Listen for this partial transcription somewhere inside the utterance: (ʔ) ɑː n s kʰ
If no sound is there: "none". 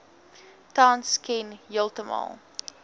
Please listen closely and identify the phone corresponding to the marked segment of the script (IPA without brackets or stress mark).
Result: t